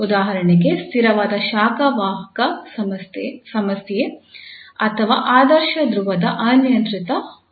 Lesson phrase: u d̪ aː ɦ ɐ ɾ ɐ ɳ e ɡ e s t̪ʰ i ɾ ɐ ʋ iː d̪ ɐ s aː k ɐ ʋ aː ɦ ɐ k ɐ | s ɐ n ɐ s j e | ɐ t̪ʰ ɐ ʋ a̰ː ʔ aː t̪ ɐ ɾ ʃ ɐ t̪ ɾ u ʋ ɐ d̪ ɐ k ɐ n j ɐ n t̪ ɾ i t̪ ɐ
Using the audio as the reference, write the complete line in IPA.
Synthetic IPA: u d̪ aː ɦ ɐ ɾ ɐ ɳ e ɡ e s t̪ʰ i ɾ ɐ ʋ aː d̪ ɐ ʃ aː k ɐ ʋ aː ɦ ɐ k ɐ | s ɐ m ɐ s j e | ɐ t̪ʰ ɐ ʋ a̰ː ʔ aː d̪ ɐ ɾ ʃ ɐ d̪ ɾ u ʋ ɐ d̪ ɐ ʔ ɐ n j ɐ n t̪ ɾ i t̪ ɐ